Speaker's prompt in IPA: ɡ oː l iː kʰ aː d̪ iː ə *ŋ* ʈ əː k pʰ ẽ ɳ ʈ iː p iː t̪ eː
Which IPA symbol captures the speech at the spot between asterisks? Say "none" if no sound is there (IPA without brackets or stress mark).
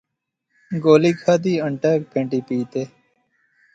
ɳ